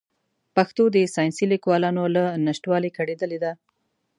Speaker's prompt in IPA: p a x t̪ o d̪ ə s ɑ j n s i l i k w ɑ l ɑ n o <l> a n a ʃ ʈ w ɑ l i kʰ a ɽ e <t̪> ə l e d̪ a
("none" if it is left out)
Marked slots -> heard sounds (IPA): l, d̪

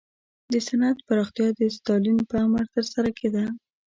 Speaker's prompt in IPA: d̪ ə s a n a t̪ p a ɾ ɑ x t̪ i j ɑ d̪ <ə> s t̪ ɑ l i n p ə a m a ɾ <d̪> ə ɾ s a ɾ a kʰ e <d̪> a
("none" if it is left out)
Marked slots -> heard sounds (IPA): ə, t̪, d̪

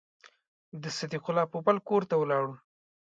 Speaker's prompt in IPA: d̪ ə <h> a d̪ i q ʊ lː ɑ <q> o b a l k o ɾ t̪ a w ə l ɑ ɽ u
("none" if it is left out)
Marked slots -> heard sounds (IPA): s, p

